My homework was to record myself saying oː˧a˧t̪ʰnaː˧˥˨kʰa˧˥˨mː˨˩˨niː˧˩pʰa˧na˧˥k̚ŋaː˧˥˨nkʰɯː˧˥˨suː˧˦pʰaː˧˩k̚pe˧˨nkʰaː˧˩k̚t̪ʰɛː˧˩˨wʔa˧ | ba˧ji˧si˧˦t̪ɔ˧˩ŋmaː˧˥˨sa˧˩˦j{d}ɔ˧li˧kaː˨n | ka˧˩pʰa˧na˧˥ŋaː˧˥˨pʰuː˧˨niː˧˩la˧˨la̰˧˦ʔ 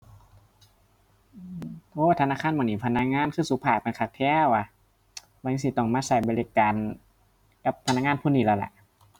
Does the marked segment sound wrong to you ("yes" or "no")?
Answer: yes